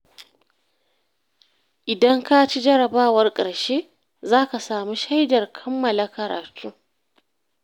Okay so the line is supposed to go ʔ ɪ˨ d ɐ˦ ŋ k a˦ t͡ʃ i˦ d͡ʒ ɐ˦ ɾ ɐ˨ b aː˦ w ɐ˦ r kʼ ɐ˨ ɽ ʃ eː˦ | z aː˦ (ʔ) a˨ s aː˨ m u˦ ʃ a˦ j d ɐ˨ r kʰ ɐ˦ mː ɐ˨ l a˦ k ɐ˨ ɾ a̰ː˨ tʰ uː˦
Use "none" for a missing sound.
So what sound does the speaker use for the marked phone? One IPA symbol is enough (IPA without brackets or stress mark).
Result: k